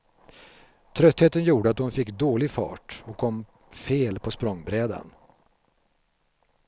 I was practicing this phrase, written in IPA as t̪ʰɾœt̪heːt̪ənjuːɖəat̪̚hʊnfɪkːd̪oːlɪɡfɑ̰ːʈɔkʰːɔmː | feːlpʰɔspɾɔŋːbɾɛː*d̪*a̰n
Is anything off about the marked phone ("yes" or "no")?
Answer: no